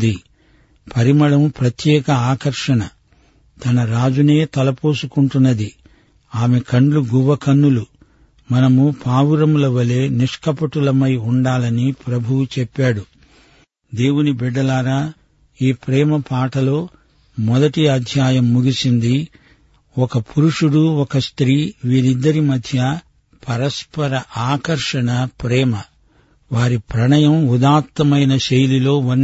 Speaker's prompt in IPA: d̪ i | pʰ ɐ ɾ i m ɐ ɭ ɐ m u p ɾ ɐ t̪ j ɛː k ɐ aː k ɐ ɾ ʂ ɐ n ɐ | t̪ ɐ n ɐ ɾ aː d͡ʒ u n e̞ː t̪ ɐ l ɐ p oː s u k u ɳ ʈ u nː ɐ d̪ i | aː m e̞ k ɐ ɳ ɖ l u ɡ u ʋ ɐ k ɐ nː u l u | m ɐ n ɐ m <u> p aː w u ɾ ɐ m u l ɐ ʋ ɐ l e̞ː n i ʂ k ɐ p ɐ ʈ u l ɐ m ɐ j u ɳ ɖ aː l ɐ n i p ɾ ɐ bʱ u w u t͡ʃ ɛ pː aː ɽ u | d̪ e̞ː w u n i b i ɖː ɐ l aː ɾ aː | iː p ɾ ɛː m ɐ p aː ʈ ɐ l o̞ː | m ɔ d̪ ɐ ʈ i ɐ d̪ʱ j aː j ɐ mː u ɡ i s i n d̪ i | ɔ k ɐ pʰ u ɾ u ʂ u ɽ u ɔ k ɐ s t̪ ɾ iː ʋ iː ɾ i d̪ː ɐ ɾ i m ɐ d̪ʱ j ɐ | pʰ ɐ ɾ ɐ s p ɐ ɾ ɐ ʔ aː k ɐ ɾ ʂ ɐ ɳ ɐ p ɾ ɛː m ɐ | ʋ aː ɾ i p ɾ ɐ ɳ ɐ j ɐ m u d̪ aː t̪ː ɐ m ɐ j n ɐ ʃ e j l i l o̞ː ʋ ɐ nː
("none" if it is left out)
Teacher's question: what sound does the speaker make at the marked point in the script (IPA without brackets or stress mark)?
u